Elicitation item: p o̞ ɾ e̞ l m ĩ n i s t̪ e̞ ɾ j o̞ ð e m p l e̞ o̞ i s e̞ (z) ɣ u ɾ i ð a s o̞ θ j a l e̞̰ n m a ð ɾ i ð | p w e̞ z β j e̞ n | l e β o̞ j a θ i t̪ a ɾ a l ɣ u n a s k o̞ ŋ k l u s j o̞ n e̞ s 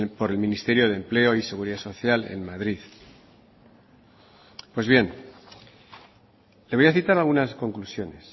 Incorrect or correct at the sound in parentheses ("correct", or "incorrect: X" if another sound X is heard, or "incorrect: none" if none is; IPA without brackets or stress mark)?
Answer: incorrect: none